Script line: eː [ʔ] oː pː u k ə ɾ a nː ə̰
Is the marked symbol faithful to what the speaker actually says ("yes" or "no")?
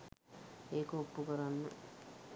no